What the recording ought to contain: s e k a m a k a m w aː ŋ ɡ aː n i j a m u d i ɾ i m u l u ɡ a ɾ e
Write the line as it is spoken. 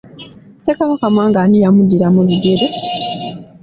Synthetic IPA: s e k a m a k a m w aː ŋ ɡ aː n i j a m u d i ɾ a m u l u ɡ e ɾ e